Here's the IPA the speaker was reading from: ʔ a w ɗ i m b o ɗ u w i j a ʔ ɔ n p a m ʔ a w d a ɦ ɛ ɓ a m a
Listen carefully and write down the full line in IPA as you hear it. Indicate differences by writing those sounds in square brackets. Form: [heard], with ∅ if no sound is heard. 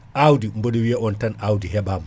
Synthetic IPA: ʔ a w [d] i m b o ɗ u w i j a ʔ ɔ n [t] a [n] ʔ a w d [i] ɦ ɛ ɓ a m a

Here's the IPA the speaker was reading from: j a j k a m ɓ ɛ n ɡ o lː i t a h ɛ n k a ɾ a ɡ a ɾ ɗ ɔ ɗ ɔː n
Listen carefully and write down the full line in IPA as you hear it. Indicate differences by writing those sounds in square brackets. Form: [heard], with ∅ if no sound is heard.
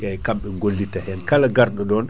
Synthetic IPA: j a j k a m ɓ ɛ [ŋ] ɡ o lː i t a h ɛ n k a [l] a ɡ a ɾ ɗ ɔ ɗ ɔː n

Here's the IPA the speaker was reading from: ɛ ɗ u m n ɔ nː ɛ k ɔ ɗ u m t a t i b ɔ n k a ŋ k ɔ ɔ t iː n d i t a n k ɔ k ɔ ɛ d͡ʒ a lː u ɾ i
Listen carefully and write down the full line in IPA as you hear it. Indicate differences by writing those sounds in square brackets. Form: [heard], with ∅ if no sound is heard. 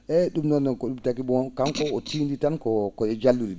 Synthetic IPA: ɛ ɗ u m n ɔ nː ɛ k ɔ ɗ u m t a [k] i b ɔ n k a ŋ k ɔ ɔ t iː n d i t a n k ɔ k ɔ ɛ d͡ʒ a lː u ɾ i

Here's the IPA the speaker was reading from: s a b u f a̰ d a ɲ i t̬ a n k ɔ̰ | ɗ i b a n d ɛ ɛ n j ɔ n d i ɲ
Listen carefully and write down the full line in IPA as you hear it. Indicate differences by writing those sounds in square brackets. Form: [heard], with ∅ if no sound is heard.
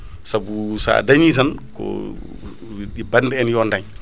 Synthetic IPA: s a b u [s] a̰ d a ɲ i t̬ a n k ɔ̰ | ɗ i b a n d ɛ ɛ n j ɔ n d [a] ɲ

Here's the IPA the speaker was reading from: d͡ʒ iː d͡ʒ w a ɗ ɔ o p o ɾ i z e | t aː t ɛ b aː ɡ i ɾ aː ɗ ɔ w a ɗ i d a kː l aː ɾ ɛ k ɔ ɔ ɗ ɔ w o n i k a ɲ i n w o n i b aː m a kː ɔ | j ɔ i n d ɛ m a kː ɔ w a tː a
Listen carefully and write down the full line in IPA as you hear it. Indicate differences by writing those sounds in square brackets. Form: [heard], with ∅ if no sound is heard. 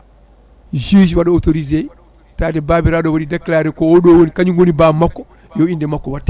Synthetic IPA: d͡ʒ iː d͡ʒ w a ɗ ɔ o [t] o ɾ i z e | t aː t ɛ b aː [b] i ɾ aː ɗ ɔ w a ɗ i d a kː l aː ɾ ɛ k ɔ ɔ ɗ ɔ w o n i k a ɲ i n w o n i b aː m a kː ɔ | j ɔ i n d ɛ m a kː ɔ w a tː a

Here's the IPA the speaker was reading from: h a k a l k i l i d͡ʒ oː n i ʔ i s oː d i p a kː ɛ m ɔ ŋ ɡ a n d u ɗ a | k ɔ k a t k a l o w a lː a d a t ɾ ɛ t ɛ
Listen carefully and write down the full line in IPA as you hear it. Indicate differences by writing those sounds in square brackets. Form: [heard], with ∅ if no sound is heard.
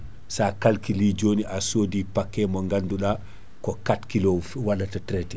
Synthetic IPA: [s] a k a l k i l i d͡ʒ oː n i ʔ [a] s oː d i p a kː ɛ m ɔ ŋ ɡ a n d u ɗ a | k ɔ k a t k [i] l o w a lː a [t] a t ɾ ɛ t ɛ

